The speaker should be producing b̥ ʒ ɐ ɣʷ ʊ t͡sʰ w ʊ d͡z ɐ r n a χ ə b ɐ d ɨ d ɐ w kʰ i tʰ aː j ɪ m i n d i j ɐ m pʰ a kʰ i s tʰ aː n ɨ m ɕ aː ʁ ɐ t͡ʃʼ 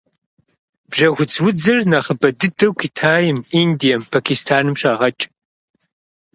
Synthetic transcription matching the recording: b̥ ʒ ɐ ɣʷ ʊ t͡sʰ w ʊ d͡z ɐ r n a χ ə b ɐ d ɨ d ɐ w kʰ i tʰ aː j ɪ m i n d i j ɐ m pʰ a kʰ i s tʰ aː n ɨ m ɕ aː ʁ ɐ t͡ʃʼ